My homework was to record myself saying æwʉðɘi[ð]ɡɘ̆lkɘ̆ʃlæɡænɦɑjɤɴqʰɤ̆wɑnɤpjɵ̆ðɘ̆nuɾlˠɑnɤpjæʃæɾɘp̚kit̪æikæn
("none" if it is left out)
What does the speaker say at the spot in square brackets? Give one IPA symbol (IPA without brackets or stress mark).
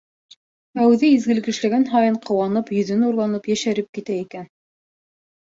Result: z